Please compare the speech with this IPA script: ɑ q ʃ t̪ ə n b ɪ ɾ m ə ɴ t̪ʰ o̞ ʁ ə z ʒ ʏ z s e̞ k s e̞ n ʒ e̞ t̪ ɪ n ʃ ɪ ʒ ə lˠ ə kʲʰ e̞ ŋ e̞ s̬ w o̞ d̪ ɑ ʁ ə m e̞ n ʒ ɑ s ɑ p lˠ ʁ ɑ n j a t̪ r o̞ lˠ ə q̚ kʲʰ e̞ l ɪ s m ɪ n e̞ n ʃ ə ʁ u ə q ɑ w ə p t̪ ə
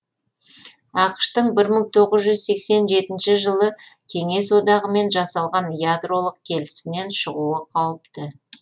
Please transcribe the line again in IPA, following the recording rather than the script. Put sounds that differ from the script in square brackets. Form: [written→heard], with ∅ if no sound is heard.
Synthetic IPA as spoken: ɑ q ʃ t̪ ə [n→ɴ] b ɪ ɾ m ə ɴ t̪ʰ o̞ ʁ ə z ʒ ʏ z s e̞ k s e̞ n ʒ e̞ t̪ ɪ n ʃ ɪ ʒ ə lˠ ə kʲʰ e̞ ŋ e̞ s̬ w o̞ d̪ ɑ ʁ ə m e̞ n ʒ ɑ s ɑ [p→∅] lˠ ʁ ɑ n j a [t̪→d̪] r o̞ lˠ ə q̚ kʲʰ e̞ l ɪ s m ɪ n e̞ n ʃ ə ʁ u ə [q→qʰ] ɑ w ə p t̪ ə